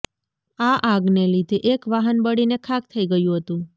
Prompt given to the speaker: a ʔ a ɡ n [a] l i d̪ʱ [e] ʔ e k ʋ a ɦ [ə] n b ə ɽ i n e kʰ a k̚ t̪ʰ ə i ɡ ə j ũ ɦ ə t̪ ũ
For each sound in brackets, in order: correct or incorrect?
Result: incorrect: e, correct, correct

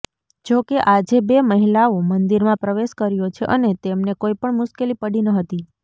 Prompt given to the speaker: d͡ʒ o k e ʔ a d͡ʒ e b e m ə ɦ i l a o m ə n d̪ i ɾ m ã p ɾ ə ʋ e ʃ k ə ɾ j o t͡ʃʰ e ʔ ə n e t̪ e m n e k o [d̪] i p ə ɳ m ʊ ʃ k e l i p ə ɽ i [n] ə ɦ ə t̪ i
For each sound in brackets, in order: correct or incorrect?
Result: incorrect: none, correct

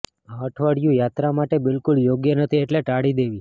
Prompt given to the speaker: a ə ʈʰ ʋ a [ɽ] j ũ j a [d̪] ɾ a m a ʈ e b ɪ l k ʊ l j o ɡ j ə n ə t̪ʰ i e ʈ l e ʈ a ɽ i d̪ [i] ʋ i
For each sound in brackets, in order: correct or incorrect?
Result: correct, incorrect: t̪, incorrect: e

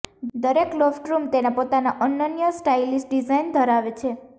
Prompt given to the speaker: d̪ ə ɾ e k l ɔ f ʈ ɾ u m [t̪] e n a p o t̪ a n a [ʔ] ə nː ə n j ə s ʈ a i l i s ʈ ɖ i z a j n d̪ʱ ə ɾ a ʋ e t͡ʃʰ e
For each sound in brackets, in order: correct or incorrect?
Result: correct, correct

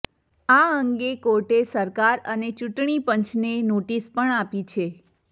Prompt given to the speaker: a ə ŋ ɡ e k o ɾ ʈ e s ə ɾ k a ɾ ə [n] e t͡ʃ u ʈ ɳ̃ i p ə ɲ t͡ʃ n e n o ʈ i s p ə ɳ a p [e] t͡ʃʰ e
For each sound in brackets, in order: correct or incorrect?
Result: correct, incorrect: i

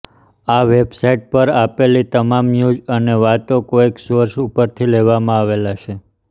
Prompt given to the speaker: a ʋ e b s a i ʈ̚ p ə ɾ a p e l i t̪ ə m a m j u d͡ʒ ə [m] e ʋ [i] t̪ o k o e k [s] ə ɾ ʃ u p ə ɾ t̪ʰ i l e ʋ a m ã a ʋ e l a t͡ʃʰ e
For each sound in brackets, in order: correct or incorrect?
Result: incorrect: n, incorrect: a, correct

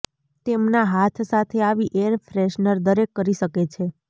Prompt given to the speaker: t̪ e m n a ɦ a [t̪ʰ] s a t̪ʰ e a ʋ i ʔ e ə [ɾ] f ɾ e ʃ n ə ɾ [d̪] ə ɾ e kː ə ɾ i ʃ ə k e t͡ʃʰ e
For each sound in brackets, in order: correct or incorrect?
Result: correct, correct, correct

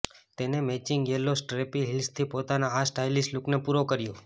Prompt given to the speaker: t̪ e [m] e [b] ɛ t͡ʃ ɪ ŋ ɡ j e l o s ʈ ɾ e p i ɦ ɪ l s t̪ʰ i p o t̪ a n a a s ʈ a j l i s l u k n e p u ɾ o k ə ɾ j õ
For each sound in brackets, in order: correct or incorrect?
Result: incorrect: n, incorrect: m

